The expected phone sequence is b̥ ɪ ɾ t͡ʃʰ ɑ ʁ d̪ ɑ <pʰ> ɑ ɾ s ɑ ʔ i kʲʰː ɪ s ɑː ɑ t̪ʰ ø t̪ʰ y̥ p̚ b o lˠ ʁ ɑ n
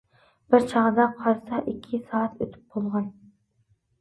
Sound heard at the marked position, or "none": qʰ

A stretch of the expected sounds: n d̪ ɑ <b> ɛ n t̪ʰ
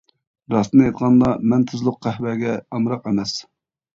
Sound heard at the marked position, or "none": m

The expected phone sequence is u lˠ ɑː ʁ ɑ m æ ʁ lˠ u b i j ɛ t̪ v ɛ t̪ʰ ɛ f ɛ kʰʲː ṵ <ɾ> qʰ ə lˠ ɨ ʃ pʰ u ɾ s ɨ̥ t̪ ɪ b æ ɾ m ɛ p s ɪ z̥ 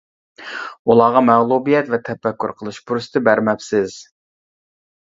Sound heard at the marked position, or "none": ɾ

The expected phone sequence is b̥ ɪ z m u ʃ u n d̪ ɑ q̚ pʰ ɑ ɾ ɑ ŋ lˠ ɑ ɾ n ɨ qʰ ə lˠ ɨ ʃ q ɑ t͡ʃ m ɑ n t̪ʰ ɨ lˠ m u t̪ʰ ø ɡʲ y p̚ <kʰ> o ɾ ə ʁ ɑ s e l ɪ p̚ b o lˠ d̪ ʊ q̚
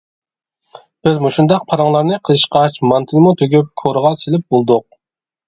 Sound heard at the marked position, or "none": kʰ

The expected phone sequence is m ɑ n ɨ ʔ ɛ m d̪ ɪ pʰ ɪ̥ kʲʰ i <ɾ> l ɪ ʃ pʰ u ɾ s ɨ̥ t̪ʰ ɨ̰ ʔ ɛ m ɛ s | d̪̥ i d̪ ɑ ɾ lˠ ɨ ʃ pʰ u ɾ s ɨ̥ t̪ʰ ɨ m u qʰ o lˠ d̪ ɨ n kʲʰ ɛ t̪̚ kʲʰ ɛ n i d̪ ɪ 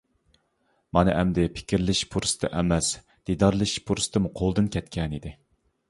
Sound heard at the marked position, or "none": ɾ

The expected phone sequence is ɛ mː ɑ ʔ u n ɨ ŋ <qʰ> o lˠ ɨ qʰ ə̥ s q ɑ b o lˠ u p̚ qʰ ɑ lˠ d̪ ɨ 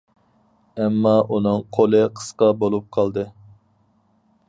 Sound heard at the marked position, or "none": qʰ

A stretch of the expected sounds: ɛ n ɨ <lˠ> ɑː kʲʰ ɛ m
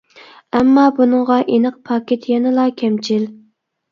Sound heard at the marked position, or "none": lˠ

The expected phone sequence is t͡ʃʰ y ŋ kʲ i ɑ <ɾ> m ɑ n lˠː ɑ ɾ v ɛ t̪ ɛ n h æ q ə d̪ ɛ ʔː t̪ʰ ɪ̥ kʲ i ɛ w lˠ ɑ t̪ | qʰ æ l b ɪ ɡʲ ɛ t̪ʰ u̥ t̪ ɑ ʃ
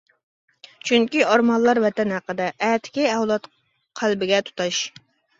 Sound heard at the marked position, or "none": ɾ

